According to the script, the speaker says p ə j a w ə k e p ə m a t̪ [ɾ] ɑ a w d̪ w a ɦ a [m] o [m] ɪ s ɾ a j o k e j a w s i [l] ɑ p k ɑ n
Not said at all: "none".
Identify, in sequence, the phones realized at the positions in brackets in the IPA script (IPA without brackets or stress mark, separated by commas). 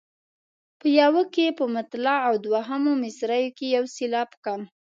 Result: l, m, m, l